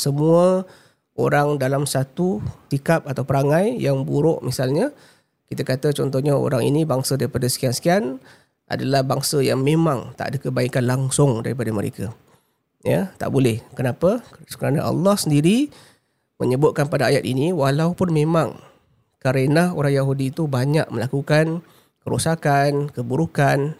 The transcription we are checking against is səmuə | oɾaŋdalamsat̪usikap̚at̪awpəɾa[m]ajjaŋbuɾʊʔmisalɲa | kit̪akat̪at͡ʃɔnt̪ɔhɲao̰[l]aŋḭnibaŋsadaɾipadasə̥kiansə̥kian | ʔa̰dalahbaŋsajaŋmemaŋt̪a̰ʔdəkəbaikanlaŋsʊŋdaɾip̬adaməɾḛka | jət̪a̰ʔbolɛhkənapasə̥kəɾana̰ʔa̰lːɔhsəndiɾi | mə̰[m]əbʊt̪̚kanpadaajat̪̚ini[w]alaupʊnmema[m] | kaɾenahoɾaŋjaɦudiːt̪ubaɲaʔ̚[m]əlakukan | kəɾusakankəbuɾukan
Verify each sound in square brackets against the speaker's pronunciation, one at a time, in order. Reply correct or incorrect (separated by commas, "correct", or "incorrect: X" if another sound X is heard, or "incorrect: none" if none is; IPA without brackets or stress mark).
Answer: incorrect: ŋ, incorrect: ɾ, incorrect: ɲ, correct, incorrect: ŋ, correct